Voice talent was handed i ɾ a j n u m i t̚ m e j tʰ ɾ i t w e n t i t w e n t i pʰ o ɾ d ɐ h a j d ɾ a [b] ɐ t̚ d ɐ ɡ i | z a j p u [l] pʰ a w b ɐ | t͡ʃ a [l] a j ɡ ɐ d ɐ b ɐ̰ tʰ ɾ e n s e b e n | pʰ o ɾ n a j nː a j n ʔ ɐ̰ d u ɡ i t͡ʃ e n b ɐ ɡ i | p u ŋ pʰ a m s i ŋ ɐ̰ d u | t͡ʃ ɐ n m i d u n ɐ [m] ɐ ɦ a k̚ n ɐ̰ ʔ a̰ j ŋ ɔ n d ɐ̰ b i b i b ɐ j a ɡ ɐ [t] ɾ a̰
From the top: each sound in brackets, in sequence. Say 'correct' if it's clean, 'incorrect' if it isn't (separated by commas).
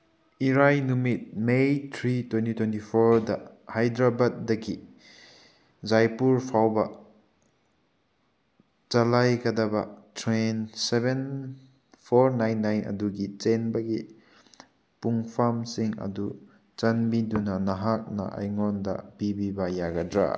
correct, incorrect, correct, incorrect, incorrect